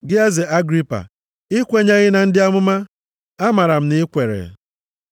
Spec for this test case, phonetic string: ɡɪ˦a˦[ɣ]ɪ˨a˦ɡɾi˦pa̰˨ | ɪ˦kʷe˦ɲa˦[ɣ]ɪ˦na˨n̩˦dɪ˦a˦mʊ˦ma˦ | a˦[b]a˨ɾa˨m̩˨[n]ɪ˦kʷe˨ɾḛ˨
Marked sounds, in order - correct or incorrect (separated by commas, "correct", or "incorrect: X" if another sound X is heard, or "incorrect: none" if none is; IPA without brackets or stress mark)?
incorrect: z, correct, incorrect: m, correct